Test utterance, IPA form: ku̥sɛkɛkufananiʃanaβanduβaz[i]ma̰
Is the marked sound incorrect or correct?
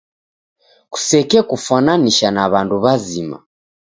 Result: correct